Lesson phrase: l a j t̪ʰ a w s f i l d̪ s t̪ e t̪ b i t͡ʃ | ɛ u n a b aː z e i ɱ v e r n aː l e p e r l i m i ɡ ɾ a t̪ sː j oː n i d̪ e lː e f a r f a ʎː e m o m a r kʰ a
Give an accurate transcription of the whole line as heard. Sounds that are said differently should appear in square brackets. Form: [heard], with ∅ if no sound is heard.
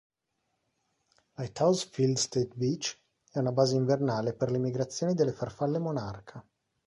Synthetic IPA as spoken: l a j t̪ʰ a w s f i l d̪ s t̪ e t̪ b i t͡ʃ | ɛ u n a b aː z e i ɱ v e r n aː l e p e r l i m i ɡ ɾ a t̪ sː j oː n i d̪ e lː e f a r f a [lː] e m o [n] a r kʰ a